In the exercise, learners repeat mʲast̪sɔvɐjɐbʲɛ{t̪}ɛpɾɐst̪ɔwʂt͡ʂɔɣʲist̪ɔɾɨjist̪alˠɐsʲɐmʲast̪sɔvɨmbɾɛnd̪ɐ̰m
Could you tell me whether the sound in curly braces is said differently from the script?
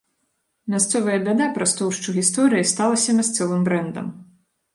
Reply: yes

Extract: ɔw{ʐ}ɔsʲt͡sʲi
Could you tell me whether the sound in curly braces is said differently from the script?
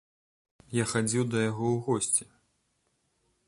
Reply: yes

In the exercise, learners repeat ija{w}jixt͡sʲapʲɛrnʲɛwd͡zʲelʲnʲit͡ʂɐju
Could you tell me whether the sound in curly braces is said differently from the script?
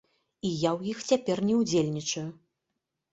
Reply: no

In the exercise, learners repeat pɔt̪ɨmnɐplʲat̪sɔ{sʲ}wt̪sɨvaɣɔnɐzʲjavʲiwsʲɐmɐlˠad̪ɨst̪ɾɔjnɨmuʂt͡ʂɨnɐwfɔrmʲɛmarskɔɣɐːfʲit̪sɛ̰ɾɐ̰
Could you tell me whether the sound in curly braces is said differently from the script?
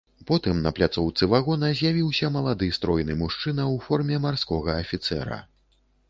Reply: yes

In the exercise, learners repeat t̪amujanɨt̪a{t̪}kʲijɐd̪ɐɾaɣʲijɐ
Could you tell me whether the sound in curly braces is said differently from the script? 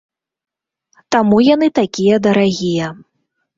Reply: yes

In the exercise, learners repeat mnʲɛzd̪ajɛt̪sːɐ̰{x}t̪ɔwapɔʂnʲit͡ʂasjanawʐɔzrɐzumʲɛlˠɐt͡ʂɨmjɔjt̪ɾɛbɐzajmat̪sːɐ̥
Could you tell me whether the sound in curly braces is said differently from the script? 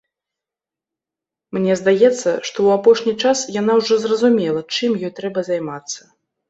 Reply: yes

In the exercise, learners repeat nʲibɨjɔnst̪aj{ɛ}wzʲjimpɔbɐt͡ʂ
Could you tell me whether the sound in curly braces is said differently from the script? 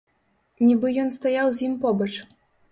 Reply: yes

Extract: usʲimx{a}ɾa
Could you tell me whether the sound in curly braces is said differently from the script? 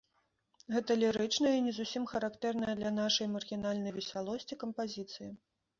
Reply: yes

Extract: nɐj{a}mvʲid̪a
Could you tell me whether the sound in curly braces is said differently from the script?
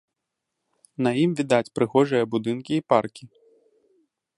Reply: yes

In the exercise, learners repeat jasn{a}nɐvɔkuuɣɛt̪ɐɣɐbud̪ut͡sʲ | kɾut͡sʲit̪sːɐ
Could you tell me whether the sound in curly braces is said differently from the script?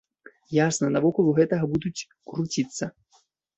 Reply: yes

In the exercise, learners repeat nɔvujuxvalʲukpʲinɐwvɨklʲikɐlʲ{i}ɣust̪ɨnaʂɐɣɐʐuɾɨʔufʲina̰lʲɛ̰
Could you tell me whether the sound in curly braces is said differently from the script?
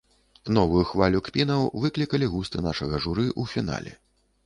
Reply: no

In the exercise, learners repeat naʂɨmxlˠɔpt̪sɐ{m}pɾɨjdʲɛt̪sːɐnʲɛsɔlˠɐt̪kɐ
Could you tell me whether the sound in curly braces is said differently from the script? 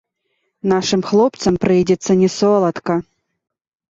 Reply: no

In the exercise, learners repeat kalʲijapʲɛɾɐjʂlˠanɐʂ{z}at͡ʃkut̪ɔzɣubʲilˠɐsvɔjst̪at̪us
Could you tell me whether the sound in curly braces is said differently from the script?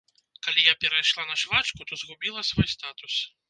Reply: yes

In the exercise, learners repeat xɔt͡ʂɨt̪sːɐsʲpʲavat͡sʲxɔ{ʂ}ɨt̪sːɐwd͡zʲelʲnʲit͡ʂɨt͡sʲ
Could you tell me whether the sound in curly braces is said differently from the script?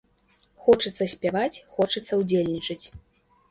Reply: yes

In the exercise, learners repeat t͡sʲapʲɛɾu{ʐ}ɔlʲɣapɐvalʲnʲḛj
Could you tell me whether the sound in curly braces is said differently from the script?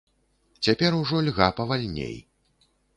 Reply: no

